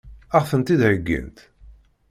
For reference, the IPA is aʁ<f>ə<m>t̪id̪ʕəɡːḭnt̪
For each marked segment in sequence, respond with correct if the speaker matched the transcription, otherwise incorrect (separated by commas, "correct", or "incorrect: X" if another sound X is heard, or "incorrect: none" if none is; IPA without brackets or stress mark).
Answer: correct, incorrect: n